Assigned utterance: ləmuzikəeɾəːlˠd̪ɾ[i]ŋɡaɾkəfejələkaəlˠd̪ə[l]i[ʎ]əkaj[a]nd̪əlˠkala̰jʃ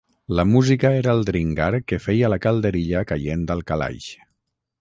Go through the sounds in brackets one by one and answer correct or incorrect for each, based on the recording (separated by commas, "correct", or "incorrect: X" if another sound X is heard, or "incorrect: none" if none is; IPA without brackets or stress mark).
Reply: correct, incorrect: ɾ, correct, incorrect: e